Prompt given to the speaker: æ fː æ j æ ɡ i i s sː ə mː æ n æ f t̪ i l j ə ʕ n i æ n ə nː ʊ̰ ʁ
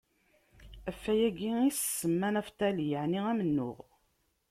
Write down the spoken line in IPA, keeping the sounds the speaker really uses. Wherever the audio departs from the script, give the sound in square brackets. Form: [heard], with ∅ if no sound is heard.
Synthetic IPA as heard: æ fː æ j æ ɡ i i s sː ə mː æ n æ f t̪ [æ] l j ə ʕ n i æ [m] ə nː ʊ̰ ʁ